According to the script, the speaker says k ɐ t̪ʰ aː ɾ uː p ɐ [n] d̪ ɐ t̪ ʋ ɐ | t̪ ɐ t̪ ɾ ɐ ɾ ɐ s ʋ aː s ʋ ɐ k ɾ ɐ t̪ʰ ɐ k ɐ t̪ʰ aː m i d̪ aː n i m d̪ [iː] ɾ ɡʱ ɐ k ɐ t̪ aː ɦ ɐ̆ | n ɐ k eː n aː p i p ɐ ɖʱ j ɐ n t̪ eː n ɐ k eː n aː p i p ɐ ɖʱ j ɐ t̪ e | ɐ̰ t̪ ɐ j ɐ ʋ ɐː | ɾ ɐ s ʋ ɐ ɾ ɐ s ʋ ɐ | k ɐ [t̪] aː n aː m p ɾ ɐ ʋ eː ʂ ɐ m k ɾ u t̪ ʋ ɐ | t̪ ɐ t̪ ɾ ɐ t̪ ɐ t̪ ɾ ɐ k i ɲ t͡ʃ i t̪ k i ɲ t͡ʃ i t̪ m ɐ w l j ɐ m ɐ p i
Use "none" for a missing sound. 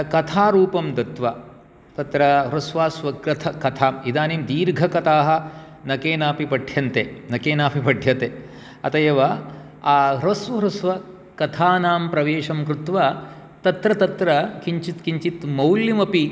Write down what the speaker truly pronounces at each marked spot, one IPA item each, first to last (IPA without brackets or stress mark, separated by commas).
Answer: m, iː, t̪ʰ